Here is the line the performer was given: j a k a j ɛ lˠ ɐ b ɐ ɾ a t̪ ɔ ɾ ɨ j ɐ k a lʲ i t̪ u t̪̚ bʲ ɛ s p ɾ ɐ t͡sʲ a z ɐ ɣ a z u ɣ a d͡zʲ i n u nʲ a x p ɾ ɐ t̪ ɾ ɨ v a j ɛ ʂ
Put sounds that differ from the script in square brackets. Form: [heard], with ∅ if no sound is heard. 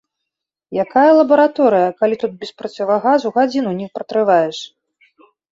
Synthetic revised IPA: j a k a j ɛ lˠ ɐ b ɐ ɾ a t̪ ɔ ɾ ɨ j ɐ k a lʲ i t̪ u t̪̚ bʲ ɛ s p ɾ ɐ t͡sʲ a [v] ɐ ɣ a z u ɣ a d͡zʲ i n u nʲ [i] x p ɾ ɐ t̪ ɾ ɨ v a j ɛ ʂ

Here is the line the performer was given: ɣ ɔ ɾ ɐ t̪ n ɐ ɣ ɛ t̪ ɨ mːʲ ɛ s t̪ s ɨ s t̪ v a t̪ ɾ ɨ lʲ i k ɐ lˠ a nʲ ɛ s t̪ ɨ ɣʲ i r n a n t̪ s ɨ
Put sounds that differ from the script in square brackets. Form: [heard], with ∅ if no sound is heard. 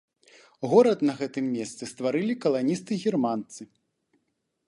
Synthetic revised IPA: ɣ ɔ ɾ ɐ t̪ n ɐ ɣ ɛ t̪ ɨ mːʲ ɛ s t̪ s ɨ s t̪ v a [∅] ɾ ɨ lʲ i k ɐ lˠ a nʲ [i] s t̪ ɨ ɣʲ i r [m] a n t̪ s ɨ

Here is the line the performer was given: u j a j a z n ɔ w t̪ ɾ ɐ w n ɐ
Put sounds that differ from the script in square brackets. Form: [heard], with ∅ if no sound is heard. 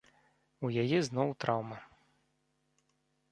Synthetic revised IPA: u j a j [ɛ] z n ɔ w t̪ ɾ [a] w [m] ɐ

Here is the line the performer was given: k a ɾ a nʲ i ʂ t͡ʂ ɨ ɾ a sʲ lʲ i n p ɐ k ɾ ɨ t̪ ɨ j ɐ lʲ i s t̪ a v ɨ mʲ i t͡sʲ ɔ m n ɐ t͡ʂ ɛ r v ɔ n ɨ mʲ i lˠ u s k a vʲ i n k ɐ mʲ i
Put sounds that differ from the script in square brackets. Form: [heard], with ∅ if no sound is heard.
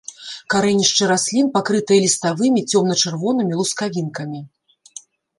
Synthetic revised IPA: k a ɾ [ɛ] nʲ i ʂ t͡ʂ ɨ ɾ a sʲ lʲ i n p [a] k ɾ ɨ t̪ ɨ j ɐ lʲ i s t̪ a v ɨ mʲ i t͡sʲ ɔ m n ɐ t͡ʂ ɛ r v ɔ n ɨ mʲ i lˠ u s k a vʲ i n k ɐ mʲ i

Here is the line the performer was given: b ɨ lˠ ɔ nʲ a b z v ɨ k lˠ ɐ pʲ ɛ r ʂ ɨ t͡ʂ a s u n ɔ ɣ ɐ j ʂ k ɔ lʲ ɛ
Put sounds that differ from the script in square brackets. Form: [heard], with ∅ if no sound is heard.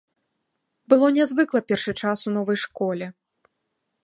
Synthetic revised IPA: b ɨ lˠ ɔ nʲ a [∅] z v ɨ k lˠ ɐ pʲ ɛ r ʂ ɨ t͡ʂ a s u n ɔ [v] ɐ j ʂ k ɔ lʲ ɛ

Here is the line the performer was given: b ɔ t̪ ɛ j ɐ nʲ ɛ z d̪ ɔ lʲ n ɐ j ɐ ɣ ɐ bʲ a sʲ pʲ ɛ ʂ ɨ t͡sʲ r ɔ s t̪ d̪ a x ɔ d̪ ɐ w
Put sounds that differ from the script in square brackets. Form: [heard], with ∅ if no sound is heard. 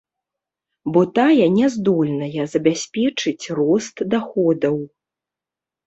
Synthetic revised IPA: b ɔ t̪ [a] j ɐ nʲ ɛ z d̪ ɔ lʲ n ɐ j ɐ [z] ɐ bʲ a sʲ pʲ ɛ [t͡ʂ] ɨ t͡sʲ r ɔ s t̪ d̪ a x ɔ d̪ ɐ w

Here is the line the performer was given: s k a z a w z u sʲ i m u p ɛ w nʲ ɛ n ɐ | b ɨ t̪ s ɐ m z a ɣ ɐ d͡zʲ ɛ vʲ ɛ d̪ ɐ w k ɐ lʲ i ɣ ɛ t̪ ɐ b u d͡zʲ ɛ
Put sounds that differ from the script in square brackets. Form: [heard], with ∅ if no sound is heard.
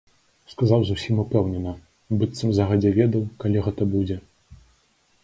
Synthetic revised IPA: s k a z a w z u sʲ i m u p ɛ w nʲ ɛ n ɐ | b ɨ t̪ s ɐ m z a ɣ ɐ d͡zʲ ɛ vʲ ɛ d̪ ɐ w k [a] lʲ i ɣ ɛ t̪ ɐ b u d͡zʲ ɛ

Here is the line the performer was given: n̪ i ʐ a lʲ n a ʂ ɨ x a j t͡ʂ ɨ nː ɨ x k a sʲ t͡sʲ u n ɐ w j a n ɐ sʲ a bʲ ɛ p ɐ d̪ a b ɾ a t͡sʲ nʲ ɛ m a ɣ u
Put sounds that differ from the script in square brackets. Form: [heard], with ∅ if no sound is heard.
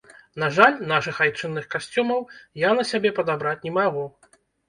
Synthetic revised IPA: n̪ [a] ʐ a lʲ n a ʂ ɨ x a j t͡ʂ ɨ nː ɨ x k a sʲ t͡sʲ u [m] ɐ w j a n ɐ sʲ a bʲ ɛ p ɐ d̪ a b ɾ a t͡sʲ nʲ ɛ m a ɣ u

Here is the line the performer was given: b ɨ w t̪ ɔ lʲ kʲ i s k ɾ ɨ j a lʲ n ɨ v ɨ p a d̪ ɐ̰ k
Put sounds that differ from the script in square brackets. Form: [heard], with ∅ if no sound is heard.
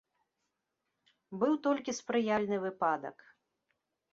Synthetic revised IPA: b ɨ w t̪ ɔ lʲ kʲ i s [p] ɾ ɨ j a lʲ n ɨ v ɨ p a d̪ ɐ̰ k

